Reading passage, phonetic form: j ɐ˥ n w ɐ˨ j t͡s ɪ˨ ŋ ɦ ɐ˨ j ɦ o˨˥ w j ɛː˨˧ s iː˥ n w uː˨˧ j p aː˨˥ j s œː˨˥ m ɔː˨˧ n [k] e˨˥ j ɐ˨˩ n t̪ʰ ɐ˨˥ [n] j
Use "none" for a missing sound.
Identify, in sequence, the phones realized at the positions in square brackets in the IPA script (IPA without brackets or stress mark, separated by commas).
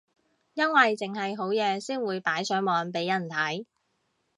p, none